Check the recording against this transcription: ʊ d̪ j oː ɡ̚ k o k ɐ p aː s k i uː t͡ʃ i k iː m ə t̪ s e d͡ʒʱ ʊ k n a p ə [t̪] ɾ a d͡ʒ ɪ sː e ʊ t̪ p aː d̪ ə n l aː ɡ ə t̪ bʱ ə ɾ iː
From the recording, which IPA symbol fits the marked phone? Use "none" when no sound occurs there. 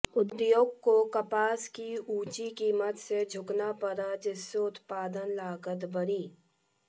none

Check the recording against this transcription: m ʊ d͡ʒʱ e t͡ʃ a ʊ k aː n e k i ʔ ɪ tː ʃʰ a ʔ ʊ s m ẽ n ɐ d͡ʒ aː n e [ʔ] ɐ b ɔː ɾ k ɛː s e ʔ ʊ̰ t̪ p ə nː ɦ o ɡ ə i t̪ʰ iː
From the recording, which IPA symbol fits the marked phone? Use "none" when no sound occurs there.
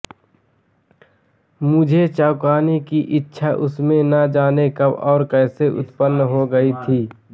k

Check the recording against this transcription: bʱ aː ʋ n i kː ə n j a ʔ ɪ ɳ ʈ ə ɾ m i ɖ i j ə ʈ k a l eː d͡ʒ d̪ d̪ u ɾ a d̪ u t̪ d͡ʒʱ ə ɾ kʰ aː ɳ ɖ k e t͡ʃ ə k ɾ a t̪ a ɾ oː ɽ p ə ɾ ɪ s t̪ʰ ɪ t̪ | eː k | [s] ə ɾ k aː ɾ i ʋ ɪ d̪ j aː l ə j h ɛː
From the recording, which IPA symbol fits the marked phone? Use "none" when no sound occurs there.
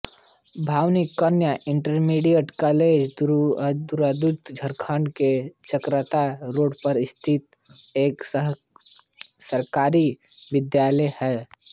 s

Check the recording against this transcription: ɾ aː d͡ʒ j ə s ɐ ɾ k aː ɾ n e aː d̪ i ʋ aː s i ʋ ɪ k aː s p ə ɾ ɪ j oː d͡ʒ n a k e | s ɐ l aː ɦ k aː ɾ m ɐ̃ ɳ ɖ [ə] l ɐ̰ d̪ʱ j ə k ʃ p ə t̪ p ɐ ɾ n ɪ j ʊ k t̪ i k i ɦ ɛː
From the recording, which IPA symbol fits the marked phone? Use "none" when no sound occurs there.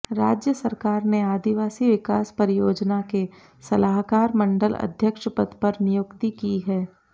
ə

